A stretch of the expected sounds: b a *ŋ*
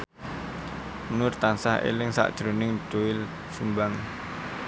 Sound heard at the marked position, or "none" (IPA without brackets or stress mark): ŋ